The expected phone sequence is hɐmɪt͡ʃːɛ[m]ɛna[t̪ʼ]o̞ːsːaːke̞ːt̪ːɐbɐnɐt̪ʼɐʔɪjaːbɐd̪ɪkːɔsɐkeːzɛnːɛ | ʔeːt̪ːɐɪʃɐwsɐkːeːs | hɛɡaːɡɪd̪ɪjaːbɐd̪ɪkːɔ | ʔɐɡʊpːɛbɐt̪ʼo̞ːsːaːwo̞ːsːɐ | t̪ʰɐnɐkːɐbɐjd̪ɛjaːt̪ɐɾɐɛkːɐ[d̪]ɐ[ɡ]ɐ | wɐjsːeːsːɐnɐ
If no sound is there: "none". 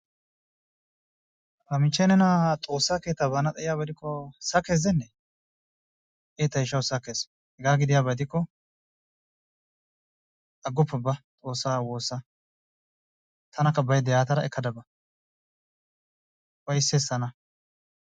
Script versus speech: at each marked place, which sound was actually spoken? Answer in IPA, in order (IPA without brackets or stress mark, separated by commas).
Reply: n, t̪ʼ, d̪, b